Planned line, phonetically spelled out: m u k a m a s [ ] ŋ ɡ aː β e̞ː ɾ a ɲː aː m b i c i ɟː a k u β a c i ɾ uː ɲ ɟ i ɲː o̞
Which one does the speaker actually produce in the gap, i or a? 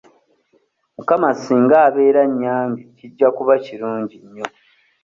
i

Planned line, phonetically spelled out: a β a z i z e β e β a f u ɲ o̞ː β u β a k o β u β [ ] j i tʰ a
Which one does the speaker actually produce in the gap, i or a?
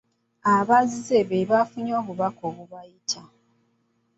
a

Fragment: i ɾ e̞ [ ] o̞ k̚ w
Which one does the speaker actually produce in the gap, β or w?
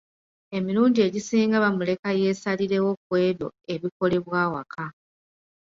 w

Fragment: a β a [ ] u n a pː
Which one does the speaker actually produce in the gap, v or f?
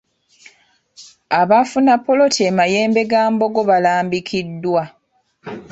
f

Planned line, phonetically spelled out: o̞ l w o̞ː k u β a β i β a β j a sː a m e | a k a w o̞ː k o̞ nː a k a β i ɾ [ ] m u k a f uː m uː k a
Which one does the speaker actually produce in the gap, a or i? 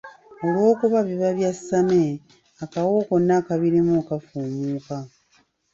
i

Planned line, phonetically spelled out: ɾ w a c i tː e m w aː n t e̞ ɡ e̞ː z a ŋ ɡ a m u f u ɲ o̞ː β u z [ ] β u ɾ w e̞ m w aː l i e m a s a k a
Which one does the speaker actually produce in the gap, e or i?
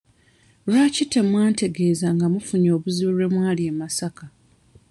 i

